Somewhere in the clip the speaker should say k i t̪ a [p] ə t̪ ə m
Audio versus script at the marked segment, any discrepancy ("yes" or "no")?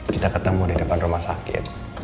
yes